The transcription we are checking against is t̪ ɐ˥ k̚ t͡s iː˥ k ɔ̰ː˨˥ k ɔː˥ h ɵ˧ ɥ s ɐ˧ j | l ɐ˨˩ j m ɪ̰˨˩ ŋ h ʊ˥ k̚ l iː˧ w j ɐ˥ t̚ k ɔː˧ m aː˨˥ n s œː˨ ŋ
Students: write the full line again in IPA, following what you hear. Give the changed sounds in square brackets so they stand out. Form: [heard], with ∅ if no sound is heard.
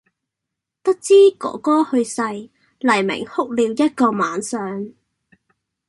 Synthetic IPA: t̪ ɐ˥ k̚ t͡s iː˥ k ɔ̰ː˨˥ k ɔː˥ h ɵ˧ ɥ s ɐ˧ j | l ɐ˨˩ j m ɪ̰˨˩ ŋ h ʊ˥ k̚ l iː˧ w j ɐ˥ t̚ k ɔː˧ m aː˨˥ n s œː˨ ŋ